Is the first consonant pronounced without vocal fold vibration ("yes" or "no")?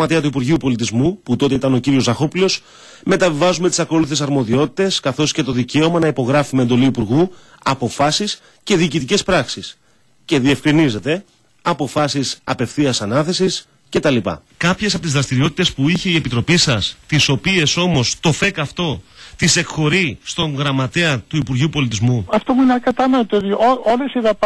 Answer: yes